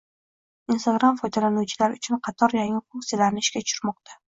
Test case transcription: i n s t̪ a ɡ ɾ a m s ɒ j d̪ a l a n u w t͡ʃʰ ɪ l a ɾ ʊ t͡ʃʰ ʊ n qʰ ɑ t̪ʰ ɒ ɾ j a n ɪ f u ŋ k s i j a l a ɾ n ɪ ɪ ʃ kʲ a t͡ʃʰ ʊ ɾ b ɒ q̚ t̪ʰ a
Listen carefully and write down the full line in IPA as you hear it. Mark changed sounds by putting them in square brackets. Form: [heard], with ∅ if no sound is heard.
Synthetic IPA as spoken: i n s t̪ a ɡ ɾ a m [f] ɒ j d̪ a l a n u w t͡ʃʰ ɪ l a ɾ ʊ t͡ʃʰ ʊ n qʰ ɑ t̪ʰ ɒ ɾ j a [ŋ] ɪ f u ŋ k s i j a l a ɾ n ɪ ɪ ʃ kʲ a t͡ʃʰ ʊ ɾ [m] ɒ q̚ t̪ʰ a